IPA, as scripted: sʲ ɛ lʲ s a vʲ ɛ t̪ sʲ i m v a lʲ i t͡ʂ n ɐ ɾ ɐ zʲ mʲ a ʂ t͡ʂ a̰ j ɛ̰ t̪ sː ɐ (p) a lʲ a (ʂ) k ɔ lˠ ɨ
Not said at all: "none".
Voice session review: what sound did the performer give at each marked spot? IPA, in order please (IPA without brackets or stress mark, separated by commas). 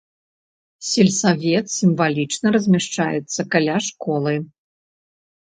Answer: k, ʂ